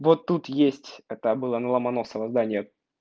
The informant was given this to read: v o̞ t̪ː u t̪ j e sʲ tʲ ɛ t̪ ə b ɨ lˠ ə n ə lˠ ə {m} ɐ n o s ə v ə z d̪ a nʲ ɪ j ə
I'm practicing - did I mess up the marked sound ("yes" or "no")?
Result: no